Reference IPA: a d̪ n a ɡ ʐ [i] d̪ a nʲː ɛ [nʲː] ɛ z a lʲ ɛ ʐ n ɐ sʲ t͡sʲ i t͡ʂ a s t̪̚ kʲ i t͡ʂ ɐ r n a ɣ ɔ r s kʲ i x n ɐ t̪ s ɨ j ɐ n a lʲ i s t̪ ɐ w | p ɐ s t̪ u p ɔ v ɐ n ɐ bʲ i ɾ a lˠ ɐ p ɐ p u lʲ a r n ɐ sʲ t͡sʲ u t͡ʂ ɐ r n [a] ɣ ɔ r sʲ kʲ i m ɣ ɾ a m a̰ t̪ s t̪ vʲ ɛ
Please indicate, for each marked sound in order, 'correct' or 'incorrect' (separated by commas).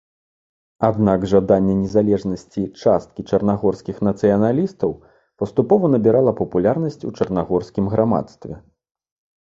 incorrect, incorrect, correct